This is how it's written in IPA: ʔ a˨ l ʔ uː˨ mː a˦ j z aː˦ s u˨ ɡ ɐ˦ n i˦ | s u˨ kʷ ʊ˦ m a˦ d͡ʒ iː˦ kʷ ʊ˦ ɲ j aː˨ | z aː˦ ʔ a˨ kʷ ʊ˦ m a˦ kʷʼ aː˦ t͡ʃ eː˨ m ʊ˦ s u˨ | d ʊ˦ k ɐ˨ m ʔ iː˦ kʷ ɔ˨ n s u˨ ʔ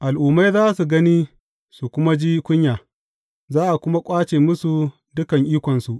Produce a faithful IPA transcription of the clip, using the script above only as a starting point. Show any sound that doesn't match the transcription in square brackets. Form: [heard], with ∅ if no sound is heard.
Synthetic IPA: ʔ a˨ l ʔ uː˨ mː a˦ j z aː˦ s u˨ ɡ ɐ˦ n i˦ | s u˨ kʷ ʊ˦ m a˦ d͡ʒ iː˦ kʷ ʊ˦ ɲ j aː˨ | z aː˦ ʔ a˨ kʷ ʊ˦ m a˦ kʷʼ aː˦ t͡ʃ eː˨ m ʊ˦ s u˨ | d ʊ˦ k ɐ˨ [ŋ] ʔ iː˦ kʷ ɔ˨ n s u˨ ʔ